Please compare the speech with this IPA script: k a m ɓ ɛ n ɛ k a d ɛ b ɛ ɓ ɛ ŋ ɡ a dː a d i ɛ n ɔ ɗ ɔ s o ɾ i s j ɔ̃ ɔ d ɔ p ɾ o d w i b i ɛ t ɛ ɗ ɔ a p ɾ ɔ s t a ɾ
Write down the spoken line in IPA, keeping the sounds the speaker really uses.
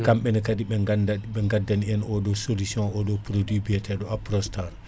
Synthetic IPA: k a m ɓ ɛ n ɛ k a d i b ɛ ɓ ɛ ŋ ɡ a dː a n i ɛ n ɔ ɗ ɔ s o l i s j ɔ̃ ɔ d ɔ p ɾ o d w i b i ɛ t ɛ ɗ ɔ a p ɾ ɔ s t a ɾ